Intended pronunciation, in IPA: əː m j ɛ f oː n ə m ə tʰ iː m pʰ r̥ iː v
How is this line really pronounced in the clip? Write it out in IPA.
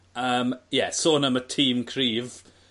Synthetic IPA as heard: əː m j ɛ s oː n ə m ə tʰ iː m kʰ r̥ iː v